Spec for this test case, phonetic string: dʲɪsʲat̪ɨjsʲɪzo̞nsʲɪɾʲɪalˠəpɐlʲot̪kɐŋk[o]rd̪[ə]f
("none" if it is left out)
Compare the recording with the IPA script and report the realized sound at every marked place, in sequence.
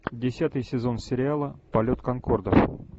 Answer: o, ə

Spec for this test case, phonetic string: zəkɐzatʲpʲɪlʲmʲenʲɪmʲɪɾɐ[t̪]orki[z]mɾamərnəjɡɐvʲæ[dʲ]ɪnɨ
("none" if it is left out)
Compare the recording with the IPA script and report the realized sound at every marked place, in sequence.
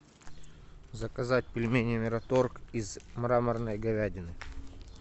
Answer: t̪, z, dʲ

